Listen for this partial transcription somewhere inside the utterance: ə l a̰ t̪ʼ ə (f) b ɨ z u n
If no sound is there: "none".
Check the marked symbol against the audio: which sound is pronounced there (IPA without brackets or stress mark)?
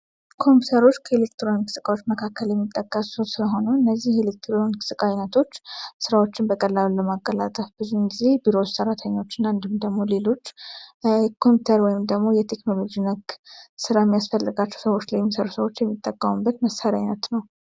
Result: f